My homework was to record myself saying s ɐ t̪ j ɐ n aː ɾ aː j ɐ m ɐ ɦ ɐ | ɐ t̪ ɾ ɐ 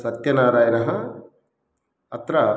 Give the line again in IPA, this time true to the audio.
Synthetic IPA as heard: s ɐ t̪ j ɐ n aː ɾ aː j ɐ n ɐ ɦ ɐ | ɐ t̪ ɾ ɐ